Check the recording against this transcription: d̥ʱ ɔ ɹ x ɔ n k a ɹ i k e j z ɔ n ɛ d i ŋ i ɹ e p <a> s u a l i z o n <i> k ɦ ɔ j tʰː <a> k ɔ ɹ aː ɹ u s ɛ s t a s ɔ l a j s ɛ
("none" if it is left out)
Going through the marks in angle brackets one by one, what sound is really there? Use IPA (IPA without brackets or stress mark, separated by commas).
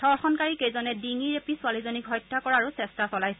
i, i, a